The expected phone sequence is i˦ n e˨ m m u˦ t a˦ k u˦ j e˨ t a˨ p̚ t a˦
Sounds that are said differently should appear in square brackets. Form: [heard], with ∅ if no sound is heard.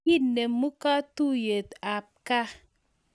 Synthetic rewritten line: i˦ n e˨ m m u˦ [k] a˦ [t] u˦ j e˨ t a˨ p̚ [k] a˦